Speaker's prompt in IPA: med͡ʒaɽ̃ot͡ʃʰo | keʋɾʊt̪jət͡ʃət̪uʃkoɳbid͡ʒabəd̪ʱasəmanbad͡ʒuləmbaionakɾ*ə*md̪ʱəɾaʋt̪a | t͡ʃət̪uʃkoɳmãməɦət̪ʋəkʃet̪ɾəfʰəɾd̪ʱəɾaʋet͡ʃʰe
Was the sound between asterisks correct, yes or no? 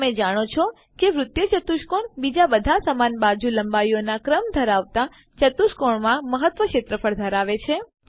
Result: yes